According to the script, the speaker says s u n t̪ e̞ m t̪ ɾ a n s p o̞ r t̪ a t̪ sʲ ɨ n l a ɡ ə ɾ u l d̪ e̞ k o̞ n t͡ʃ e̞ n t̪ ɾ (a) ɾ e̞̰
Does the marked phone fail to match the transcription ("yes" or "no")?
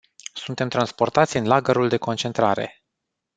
no